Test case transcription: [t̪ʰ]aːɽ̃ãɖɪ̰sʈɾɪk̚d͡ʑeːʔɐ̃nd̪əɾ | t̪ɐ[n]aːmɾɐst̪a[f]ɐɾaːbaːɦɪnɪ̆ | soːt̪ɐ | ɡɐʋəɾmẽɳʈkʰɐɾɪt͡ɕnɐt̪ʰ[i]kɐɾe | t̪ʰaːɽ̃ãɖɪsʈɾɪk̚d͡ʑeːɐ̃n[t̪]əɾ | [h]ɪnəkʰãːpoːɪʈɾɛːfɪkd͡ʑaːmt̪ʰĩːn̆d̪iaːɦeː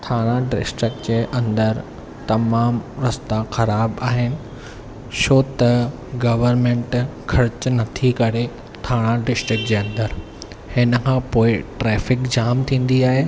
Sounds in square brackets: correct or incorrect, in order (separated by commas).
correct, incorrect, incorrect, correct, incorrect, correct